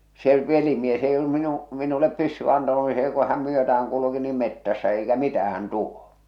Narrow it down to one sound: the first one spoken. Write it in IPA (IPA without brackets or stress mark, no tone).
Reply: s